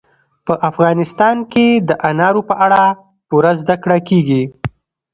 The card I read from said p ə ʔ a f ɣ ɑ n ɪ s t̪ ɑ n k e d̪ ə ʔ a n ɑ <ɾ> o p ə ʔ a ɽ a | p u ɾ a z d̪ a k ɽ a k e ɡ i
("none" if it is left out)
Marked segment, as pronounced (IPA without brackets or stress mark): ɾ